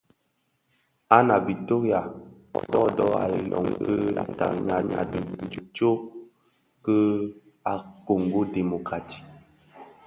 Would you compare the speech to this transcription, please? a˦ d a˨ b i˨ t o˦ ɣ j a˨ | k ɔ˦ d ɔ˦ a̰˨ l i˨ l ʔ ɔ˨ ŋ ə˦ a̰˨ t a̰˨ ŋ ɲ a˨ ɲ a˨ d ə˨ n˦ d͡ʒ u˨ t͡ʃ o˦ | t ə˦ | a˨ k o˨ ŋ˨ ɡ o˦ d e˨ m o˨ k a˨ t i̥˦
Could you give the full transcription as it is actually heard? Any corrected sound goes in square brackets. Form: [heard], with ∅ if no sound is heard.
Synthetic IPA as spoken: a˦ [n] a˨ b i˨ t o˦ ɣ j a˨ | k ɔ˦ d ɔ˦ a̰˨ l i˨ l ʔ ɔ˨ ŋ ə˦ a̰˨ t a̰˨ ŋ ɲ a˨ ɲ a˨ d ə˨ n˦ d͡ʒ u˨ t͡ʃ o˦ | [k] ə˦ | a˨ k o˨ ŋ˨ ɡ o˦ d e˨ m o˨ k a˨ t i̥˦